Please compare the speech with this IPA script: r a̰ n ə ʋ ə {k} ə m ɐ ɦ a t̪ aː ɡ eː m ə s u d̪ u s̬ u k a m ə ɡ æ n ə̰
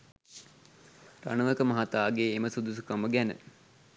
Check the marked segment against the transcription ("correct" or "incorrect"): correct